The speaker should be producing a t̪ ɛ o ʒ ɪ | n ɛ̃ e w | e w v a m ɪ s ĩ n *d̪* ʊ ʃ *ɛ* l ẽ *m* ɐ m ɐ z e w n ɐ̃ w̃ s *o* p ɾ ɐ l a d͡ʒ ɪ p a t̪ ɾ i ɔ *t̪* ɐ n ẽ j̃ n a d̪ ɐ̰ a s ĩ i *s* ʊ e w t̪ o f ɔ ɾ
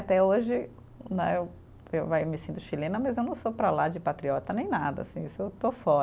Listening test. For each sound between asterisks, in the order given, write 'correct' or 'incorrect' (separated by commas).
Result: incorrect, incorrect, incorrect, correct, correct, correct